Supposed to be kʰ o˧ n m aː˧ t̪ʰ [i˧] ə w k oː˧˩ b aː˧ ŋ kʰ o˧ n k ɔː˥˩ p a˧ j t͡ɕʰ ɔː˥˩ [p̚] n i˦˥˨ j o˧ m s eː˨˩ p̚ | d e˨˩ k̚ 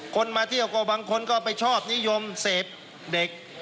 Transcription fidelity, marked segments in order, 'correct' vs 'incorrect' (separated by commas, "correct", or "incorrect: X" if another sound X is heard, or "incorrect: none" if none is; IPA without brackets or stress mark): incorrect: i˥˩, correct